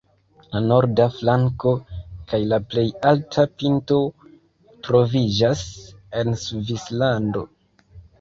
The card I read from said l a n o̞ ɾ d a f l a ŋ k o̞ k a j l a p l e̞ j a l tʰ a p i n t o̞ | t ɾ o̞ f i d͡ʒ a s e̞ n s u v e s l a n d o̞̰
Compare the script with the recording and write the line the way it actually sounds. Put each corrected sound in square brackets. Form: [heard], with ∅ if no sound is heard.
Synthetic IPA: l a n o̞ ɾ d a f l a ŋ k o̞ k a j l a p l e̞ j a l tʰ a p i n t o̞ | t ɾ o̞ [v] i d͡ʒ a s e̞ n s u v [i] s l a n d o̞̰